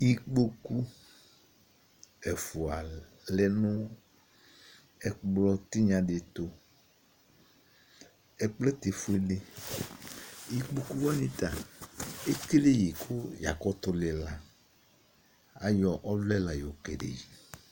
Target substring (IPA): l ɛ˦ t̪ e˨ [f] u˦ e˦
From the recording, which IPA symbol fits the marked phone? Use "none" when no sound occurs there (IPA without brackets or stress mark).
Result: f